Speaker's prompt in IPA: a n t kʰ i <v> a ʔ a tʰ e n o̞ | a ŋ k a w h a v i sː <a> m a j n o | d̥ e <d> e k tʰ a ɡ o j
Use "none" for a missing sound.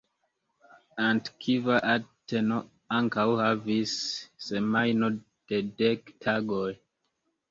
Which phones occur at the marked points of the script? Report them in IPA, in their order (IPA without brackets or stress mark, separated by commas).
v, e, d